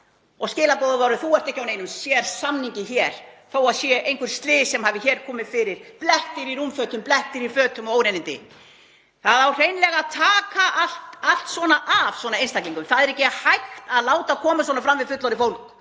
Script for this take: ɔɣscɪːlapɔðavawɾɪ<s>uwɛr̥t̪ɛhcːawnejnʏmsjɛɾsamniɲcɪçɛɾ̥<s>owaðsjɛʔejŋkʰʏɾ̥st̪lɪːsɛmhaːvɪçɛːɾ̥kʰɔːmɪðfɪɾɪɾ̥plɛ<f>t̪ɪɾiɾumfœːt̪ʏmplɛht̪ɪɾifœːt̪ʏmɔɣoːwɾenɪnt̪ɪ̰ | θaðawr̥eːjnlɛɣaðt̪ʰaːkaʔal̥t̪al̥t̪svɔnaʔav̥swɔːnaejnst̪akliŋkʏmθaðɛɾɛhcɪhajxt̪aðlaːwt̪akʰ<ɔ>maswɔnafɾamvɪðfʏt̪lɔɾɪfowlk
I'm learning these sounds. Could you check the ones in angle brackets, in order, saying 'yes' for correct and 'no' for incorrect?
no, no, no, no

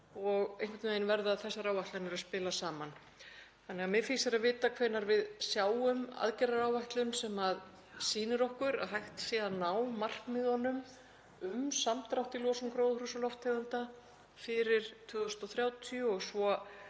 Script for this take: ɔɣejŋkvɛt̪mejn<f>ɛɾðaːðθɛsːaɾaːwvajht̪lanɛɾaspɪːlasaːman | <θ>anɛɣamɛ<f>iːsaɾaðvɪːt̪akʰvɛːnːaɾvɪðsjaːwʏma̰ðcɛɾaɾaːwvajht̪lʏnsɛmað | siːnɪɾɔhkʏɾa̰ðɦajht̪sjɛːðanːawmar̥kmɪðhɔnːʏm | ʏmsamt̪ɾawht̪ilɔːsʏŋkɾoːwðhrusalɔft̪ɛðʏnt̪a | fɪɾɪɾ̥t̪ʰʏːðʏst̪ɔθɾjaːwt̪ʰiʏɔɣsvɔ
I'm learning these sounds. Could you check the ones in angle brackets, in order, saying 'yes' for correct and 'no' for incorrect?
no, yes, yes

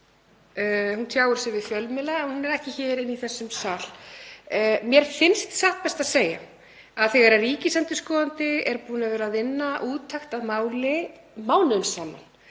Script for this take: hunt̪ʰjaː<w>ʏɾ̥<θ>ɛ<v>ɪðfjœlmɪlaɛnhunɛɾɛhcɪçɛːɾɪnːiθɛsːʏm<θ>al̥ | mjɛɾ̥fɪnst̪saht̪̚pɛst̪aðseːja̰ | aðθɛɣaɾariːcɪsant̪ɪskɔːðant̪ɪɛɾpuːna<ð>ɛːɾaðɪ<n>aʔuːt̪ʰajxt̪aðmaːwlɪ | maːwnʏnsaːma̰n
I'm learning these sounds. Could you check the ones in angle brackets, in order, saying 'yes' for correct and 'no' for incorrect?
yes, no, yes, no, no, no

